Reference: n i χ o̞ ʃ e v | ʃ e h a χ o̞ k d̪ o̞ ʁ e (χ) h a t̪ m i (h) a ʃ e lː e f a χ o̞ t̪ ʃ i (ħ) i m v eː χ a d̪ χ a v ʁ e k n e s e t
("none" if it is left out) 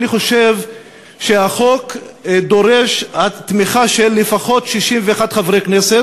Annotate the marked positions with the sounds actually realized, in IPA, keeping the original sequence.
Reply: ʃ, χ, ʃ

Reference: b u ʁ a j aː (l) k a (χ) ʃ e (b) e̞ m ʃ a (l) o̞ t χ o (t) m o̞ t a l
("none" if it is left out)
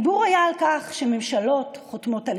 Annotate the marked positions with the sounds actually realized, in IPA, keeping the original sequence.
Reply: l, χ, m, l, t

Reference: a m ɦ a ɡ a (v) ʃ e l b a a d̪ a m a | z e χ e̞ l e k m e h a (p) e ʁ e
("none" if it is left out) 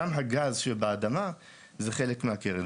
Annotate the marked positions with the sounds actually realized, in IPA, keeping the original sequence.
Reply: z, k

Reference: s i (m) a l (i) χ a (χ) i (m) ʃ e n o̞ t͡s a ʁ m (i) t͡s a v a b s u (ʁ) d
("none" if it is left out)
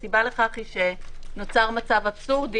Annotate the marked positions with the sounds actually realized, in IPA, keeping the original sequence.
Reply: b, e, χ, none, a, ʁ

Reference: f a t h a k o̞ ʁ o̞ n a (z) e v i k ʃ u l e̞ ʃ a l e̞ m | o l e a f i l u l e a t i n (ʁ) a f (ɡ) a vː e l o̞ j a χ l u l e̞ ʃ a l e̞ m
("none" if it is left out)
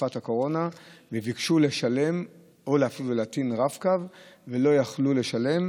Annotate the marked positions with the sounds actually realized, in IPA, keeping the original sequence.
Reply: v, ʁ, k

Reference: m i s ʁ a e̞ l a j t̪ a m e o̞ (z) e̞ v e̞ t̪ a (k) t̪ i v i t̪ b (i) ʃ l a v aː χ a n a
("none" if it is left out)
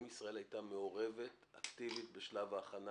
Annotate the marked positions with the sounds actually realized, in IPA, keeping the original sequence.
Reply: ʁ, k, e

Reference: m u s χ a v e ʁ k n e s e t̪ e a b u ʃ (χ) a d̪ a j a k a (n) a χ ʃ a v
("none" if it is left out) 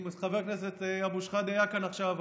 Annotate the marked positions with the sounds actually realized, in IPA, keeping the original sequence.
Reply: χ, n

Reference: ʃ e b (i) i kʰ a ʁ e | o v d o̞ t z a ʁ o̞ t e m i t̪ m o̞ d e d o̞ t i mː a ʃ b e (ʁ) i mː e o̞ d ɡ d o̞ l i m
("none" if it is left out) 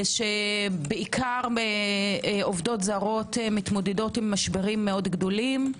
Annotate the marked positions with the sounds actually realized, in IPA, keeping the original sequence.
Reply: e, ʁ

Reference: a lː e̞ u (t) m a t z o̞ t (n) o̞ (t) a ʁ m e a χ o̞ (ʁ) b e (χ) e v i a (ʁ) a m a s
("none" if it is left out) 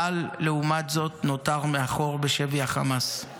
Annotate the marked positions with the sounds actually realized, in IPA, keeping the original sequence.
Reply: none, n, t, ʁ, ʃ, χ

